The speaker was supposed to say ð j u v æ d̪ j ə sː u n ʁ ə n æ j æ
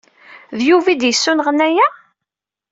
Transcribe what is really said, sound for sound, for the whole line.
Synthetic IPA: ð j u v i d̪ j ə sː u n ʁ ə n æ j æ